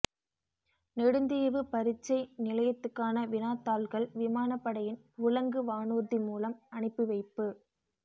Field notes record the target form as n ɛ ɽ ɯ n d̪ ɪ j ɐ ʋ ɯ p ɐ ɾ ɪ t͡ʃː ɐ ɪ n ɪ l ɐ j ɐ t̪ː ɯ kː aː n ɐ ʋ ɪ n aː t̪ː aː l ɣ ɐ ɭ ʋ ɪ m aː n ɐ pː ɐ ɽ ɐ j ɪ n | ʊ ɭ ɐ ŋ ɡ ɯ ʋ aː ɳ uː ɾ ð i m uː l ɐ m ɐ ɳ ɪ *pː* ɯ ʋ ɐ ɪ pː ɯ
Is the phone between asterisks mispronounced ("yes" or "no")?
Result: no